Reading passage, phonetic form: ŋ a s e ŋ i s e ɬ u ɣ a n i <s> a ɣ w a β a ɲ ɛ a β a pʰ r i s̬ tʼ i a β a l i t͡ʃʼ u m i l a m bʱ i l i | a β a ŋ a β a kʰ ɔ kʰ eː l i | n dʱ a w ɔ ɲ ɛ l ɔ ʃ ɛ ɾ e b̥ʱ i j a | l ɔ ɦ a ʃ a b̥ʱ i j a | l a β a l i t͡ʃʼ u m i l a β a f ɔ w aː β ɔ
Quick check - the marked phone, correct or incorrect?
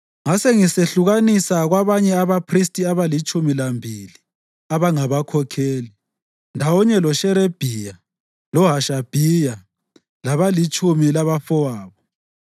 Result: correct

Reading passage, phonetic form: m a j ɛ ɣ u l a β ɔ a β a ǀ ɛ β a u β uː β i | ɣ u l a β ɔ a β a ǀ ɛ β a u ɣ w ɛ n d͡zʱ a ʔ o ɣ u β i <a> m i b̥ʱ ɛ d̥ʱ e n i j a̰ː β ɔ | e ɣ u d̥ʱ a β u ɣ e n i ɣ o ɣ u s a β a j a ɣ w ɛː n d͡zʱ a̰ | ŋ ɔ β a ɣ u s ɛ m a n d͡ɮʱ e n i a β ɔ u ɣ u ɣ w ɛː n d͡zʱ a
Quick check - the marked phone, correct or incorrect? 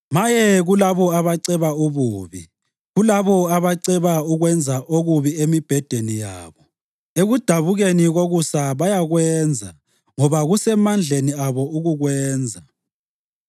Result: incorrect: e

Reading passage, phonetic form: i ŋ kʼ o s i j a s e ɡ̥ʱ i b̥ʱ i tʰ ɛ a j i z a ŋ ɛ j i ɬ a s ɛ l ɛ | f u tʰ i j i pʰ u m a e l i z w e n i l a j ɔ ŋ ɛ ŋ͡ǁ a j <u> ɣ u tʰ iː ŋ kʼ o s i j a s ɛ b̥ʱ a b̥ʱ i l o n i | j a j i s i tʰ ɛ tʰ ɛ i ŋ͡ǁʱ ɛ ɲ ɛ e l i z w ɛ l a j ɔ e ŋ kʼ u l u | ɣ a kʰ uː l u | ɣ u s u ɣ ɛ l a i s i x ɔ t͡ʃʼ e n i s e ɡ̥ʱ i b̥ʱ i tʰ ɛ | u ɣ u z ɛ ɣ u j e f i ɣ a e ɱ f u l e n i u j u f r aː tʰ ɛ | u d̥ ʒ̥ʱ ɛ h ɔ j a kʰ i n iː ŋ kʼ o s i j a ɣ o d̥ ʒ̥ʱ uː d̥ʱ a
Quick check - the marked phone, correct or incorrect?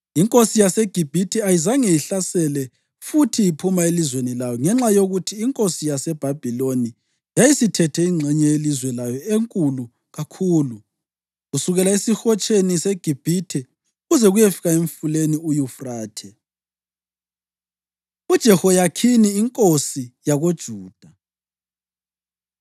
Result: incorrect: o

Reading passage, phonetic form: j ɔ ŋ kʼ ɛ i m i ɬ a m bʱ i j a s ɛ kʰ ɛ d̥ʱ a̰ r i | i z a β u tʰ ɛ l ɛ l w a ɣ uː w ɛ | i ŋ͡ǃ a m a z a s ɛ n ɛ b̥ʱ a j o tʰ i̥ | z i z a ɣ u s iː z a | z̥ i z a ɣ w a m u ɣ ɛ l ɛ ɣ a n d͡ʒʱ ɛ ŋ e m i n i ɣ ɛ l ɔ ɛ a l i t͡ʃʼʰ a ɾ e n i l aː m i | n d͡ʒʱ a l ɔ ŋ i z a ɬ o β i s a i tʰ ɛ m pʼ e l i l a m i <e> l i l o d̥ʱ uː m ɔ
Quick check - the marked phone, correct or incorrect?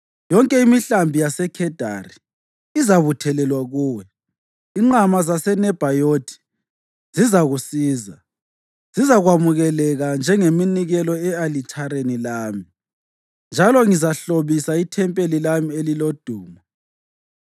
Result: correct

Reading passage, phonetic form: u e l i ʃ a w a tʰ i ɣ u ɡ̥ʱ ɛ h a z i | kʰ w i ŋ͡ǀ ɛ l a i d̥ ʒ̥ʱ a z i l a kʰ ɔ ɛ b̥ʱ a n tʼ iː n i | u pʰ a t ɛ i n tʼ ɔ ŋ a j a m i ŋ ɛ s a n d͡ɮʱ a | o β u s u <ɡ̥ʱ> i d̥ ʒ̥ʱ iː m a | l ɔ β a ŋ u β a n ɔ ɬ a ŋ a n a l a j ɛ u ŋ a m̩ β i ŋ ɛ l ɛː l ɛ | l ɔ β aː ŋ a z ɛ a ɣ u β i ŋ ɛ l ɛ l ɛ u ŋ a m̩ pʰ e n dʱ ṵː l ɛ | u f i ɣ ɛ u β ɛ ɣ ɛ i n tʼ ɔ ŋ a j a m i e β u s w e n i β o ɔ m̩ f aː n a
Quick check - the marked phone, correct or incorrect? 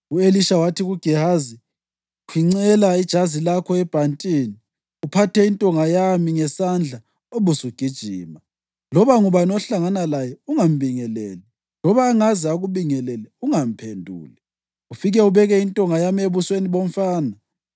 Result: correct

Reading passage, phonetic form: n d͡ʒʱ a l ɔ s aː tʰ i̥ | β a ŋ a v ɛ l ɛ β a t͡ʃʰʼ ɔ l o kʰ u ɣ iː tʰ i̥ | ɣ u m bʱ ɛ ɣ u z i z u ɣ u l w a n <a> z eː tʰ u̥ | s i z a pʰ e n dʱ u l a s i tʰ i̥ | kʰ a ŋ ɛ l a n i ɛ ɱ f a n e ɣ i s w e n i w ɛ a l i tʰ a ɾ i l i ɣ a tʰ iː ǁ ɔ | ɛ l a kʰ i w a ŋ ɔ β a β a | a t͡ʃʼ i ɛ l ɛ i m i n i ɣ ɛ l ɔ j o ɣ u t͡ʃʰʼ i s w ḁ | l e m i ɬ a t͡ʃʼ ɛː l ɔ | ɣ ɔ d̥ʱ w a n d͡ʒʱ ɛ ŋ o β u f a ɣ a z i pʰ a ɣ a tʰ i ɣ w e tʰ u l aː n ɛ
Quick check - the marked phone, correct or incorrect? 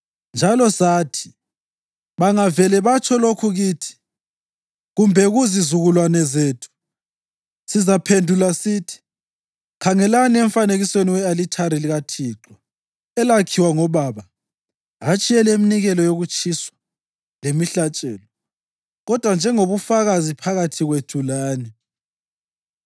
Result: incorrect: ɛ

